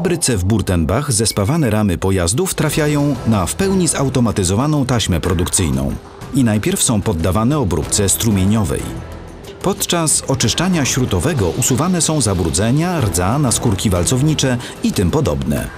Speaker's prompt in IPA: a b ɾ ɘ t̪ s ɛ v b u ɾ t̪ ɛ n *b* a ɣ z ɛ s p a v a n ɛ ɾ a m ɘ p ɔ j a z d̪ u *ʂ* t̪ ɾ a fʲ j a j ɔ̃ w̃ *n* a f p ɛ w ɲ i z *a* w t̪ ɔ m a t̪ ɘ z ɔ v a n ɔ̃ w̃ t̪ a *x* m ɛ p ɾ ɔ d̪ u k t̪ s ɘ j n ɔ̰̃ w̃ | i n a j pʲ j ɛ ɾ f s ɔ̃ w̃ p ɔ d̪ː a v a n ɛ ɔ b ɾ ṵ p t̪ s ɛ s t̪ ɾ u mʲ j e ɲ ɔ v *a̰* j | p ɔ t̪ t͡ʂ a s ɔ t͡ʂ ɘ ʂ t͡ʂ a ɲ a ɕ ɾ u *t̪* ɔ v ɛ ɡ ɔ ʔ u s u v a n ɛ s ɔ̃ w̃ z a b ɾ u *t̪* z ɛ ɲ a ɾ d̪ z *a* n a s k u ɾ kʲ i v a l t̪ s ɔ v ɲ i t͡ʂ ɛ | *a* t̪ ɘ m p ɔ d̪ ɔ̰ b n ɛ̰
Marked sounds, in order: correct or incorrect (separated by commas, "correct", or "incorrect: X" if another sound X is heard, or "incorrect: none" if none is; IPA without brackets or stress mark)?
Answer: correct, incorrect: f, correct, correct, incorrect: ɕ, incorrect: ɛ̰, correct, incorrect: d̪, correct, incorrect: i